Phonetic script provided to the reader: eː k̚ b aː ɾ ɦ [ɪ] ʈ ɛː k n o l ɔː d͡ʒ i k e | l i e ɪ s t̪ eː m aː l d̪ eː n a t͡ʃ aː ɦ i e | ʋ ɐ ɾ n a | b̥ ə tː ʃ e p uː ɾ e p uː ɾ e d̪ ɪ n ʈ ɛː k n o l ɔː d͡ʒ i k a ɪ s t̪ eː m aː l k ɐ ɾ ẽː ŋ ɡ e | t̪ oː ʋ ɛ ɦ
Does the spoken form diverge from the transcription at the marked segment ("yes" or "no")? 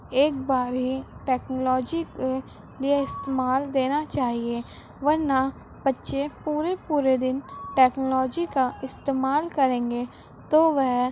yes